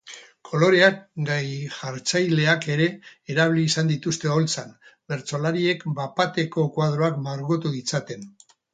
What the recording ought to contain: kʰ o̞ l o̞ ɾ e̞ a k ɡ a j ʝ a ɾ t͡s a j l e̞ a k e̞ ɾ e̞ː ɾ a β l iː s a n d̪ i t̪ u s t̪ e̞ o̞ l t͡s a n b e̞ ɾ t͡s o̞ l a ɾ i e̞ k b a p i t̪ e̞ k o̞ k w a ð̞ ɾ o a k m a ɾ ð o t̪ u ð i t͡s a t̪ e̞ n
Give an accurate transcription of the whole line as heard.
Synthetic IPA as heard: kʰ o̞ l o̞ ɾ e̞ a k ɡ a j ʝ a ɾ t͡s a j l e̞ a k e̞ ɾ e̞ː ɾ a β l iː s a n d̪ i t̪ u s t̪ e̞ o̞ l t͡s a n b e̞ ɾ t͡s o̞ l a ɾ i e̞ k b a p a t̪ e̞ k o̞ k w a ð̞ ɾ o a k m a ɾ ɣ o t̪ u ð i t͡s a t̪ e̞ n

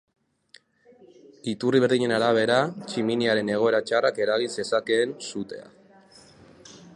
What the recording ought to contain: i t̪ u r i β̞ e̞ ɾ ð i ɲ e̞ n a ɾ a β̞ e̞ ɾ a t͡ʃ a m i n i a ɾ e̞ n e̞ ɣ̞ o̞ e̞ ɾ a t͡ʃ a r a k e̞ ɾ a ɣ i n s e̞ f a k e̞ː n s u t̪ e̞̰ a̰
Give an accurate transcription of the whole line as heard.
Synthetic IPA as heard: i t̪ u r i β̞ e̞ ɾ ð i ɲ e̞ n a ɾ a β̞ e̞ ɾ a t͡ʃ i m i n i a ɾ e̞ n e̞ ɣ̞ o̞ e̞ ɾ a t͡ʃ a r a k e̞ ɾ a ɣ i n s e̞ s a k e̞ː n s u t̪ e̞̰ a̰

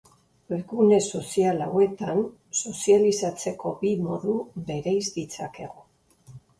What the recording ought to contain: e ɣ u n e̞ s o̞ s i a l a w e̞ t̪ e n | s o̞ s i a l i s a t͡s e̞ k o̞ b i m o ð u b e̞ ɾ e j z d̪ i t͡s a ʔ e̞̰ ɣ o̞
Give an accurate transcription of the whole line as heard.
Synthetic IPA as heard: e ɣ u n e̞ s o̞ s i a l a w e̞ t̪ a n | s o̞ s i a l i s a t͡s e̞ k o̞ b i m o ð u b e̞ ɾ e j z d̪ i t͡s a k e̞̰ ɣ o̞

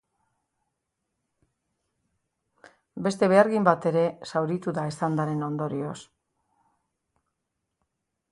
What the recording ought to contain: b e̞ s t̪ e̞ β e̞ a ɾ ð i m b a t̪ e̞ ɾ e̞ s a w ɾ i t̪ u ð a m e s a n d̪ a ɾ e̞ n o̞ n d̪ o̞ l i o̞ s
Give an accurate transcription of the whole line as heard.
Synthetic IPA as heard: b e̞ s t̪ e̞ β e̞ a ɾ ɣ i m b a t̪ e̞ ɾ e̞ s a w ɾ i t̪ u ð a e s a n d̪ a ɾ e̞ n o̞ n d̪ o̞ ɾ i o̞ s

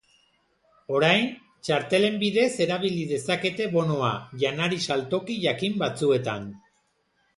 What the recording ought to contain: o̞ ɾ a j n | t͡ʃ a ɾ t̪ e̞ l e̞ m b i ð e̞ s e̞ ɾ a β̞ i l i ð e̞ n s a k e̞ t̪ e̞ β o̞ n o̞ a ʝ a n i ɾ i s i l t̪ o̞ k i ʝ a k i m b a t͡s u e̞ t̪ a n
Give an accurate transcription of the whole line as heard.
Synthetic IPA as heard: o̞ ɾ a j n | t͡ʃ a ɾ t̪ e̞ l e̞ m b i ð e̞ s e̞ ɾ a β̞ i l i ð e̞ s a k e̞ t̪ e̞ β o̞ n o̞ a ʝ a n a ɾ i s a l t̪ o̞ k i ʝ a k i m b a t͡s u e̞ t̪ a n

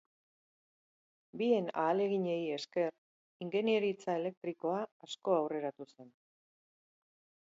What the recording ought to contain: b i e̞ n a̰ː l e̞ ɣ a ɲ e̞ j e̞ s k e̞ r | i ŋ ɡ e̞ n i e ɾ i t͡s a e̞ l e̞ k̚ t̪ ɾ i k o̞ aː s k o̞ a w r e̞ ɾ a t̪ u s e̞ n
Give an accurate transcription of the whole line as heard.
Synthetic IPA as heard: b i e̞ n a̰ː l e̞ ɣ i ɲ e̞ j e̞ s k e̞ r | i ŋ ɡ e̞ n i e ɾ i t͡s a e̞ l e̞ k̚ t̪ ɾ i k o̞ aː s k o̞ a w r e̞ ɾ a t̪ u s e̞ n

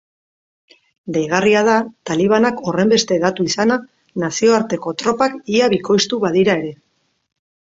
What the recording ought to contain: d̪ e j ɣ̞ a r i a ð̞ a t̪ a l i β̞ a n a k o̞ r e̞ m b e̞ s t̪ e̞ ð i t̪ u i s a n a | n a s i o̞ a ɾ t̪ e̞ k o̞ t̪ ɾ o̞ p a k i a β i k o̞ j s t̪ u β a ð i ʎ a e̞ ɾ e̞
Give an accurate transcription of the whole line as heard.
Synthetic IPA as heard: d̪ e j ɣ̞ a r i a ð̞ a t̪ a l i β̞ a n a k o̞ r e̞ m b e̞ s t̪ e̞ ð a t̪ u i s a n a | n a s i o̞ a ɾ t̪ e̞ k o̞ t̪ ɾ o̞ p a k i a β i k o̞ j s t̪ u β a ð i ɾ a e̞ ɾ e̞

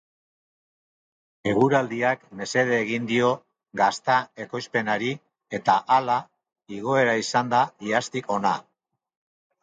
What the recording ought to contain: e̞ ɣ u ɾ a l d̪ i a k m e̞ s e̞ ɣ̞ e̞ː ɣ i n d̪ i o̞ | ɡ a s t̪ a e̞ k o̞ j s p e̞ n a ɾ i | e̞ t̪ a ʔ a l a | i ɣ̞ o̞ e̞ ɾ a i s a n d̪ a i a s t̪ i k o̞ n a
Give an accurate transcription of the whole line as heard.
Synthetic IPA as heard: e̞ ɣ u ɾ a l d̪ i a k m e̞ s e̞ ð̞ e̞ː ɣ i n d̪ i o̞ | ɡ a s t̪ a e̞ k o̞ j s p e̞ n a ɾ i | e̞ t̪ a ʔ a l a | i ɣ̞ o̞ e̞ ɾ a i s a n d̪ a i a s t̪ i k o̞ n a

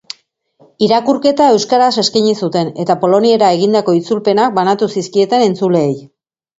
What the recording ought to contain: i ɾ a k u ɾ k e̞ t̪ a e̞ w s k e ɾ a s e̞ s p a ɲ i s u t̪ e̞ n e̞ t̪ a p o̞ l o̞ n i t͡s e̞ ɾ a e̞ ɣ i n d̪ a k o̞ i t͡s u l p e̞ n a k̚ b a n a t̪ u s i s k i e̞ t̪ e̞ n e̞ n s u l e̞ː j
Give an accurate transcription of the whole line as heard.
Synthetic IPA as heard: i ɾ a k u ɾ k e̞ t̪ a e̞ w s k a ɾ a s e̞ s k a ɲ i s u t̪ e̞ n e̞ t̪ a p o̞ l o̞ n i e̞ ɾ a e̞ ɣ i n d̪ a k o̞ i t͡s u l p e̞ n a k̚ b a n a t̪ u s i s k i e̞ t̪ e̞ n e̞ n t͡s u l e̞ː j

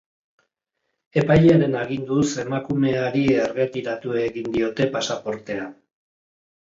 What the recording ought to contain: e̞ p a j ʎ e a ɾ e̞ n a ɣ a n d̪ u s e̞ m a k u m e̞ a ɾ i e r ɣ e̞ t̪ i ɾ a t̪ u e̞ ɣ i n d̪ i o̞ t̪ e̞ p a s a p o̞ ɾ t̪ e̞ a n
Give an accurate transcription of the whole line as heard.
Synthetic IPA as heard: e̞ p a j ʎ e a ɾ e̞ n a ɣ i n d̪ u s e̞ m a k u m e̞ a ɾ i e r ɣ e̞ t̪ i ɾ a t̪ u e̞ ɣ i n d̪ i o̞ t̪ e̞ p a s a p o̞ ɾ t̪ e̞ a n

